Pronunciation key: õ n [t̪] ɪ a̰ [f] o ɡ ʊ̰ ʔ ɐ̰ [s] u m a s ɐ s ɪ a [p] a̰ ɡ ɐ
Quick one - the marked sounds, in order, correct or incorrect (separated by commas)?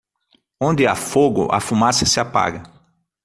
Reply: incorrect, correct, incorrect, correct